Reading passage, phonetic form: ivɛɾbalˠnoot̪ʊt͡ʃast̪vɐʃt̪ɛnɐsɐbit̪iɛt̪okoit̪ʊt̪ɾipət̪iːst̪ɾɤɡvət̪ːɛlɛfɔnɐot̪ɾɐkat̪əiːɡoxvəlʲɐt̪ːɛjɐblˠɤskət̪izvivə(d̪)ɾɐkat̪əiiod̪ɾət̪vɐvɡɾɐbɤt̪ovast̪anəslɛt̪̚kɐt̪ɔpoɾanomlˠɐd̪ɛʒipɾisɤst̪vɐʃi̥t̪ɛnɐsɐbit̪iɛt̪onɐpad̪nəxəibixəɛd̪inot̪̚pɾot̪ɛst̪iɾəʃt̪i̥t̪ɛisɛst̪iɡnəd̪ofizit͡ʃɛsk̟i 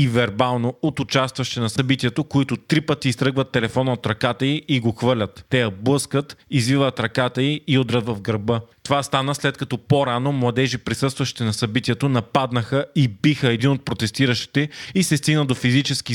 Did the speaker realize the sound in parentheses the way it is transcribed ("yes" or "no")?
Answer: no